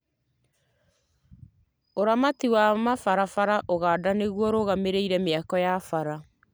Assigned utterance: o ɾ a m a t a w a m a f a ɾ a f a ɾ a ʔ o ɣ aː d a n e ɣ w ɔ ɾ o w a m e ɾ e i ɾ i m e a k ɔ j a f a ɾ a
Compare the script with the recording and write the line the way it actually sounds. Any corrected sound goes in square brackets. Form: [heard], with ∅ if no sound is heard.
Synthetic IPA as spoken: o ɾ a m a t [i] w a m a f a ɾ a f a ɾ a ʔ o ɣ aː d a n e ɣ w ɔ ɾ o [ɣ] a m e ɾ e i ɾ [ɛ] m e a k ɔ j a f a ɾ a